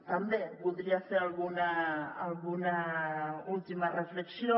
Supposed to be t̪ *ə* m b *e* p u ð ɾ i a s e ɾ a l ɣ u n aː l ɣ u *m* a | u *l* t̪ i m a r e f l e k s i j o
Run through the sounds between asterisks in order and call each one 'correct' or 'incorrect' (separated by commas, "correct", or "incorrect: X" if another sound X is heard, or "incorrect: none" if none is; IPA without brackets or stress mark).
incorrect: a, correct, incorrect: n, correct